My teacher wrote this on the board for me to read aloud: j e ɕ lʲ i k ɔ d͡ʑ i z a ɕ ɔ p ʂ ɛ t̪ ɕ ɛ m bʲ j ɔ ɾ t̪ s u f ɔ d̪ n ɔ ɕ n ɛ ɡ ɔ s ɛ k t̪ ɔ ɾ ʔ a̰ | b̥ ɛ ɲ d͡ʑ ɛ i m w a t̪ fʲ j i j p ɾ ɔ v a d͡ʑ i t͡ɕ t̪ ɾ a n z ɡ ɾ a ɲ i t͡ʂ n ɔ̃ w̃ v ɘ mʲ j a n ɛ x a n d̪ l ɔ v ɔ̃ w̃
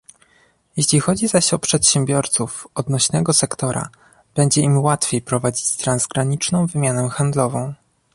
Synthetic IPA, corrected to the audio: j e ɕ lʲ i x ɔ d͡ʑ i z a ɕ ɔ p ʂ ɛ t̪ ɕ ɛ m bʲ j ɔ ɾ t̪ s u f ɔ d̪ n ɔ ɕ n ɛ ɡ ɔ s ɛ k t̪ ɔ ɾ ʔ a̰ | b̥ ɛ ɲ d͡ʑ ɛ i m w a t̪ fʲ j e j p ɾ ɔ v a d͡ʑ i t͡ɕ t̪ ɾ a n z ɡ ɾ a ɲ i t͡ʂ n ɔ̃ w̃ v ɘ mʲ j a n ɛ x a n d̪ l ɔ v ɔ̃ w̃